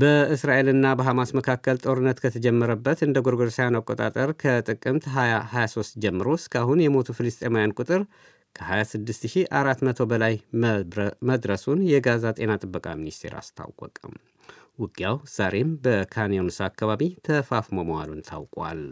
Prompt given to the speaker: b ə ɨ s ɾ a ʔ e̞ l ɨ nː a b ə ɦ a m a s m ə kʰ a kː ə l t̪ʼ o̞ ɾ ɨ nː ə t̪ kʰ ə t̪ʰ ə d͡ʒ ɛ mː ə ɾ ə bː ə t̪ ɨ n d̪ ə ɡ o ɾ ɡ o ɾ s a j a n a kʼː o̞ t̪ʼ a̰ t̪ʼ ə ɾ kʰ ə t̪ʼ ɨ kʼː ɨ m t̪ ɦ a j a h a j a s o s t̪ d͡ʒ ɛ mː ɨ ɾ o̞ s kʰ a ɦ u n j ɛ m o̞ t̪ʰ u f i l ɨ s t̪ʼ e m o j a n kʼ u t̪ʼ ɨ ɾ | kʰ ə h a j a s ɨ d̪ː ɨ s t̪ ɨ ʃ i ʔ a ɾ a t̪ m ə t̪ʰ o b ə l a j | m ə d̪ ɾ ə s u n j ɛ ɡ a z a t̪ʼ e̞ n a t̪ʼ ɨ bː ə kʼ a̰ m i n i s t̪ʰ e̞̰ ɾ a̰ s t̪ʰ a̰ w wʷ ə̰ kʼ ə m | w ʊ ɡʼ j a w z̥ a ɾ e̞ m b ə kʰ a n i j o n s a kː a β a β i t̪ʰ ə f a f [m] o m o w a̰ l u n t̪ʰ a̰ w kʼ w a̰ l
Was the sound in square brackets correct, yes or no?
yes